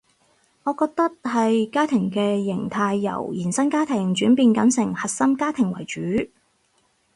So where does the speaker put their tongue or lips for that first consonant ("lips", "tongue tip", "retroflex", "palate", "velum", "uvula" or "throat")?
velum